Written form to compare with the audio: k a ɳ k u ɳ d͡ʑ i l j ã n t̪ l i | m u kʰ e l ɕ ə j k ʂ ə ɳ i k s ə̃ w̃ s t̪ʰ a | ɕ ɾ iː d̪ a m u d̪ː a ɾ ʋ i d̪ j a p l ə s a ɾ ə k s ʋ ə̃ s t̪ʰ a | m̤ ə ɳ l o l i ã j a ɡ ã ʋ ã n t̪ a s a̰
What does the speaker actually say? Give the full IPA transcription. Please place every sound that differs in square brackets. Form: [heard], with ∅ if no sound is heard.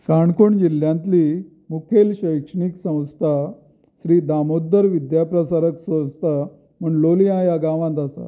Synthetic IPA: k a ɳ k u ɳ d͡ʑ i l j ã n t̪ l i | m u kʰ e l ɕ ə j k ʂ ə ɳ i k s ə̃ w̃ s t̪ʰ a | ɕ ɾ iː d̪ a m [o] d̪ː [ə] ɾ ʋ i d̪ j a p [ɾ] ə s a ɾ ə k s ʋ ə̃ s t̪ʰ a | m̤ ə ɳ l o l i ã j a ɡ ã ʋ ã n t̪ a s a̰